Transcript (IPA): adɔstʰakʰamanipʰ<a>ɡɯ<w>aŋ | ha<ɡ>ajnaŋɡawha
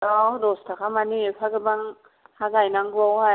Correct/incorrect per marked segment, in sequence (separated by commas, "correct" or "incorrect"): correct, incorrect, correct